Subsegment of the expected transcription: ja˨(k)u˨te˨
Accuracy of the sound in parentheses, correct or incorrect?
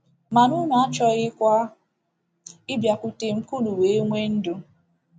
correct